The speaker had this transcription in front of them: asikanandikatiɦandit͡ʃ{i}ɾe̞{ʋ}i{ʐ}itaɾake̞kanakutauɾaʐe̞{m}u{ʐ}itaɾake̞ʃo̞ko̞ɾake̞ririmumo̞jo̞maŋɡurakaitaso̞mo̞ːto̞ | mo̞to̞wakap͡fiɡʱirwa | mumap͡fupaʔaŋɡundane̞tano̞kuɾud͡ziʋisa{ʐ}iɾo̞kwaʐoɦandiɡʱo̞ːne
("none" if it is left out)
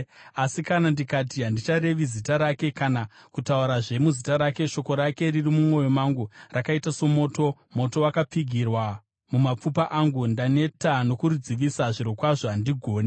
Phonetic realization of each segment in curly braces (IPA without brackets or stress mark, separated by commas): a, ʋ, z, m, z, ʐ